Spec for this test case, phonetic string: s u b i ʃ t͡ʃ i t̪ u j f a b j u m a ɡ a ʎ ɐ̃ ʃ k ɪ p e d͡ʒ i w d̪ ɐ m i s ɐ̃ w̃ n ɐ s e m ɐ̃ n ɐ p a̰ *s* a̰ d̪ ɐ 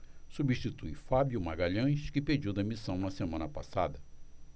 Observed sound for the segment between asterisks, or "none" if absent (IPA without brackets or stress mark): s